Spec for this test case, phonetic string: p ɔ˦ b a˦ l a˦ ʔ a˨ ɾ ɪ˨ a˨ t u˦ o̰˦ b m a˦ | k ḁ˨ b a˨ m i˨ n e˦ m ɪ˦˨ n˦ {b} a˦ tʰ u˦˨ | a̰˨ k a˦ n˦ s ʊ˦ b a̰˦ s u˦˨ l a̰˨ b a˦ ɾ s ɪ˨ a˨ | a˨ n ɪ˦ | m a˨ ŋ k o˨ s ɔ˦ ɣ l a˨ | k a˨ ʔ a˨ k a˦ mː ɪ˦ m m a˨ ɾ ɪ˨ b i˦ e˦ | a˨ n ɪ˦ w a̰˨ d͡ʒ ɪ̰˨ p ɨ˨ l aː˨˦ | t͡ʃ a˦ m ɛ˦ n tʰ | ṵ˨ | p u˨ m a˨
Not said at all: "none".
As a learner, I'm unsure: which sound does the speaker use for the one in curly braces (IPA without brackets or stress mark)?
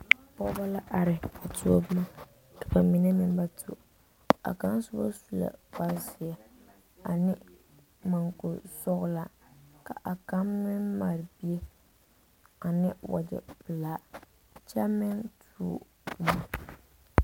b